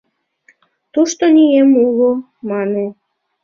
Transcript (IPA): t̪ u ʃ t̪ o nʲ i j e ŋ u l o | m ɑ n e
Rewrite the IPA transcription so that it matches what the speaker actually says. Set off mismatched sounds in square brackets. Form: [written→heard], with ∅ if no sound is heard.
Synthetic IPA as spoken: t̪ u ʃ t̪ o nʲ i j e [ŋ→m] u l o | m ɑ n e